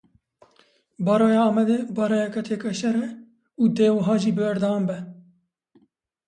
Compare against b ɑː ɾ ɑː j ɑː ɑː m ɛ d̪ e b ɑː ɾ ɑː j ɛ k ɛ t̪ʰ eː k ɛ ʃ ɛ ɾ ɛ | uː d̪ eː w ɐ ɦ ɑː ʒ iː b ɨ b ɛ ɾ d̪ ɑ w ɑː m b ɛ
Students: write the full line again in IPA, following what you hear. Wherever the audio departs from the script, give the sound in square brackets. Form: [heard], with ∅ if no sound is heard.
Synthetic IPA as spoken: b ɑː ɾ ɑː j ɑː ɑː m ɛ d̪ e b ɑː ɾ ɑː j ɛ k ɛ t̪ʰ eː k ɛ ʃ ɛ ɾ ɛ | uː d̪ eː w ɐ ɦ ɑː ʒ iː b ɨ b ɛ ɾ d̪ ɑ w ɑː m b ɛ